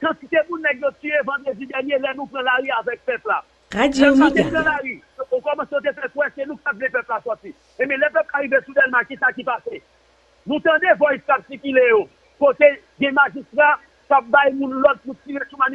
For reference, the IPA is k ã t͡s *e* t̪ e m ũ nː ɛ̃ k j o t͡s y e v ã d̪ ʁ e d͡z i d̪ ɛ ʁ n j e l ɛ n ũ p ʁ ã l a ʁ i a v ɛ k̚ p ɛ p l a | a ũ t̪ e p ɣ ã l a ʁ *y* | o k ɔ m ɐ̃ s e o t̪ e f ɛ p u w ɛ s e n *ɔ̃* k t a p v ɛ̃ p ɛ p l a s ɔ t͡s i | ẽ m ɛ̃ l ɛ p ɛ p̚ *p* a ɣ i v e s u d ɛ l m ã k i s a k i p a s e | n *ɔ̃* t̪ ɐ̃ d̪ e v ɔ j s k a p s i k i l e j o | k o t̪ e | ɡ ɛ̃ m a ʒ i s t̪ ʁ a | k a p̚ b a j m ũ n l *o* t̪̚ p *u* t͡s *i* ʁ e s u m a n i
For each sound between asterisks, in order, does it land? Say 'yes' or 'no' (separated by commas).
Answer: no, no, no, no, no, no, yes, yes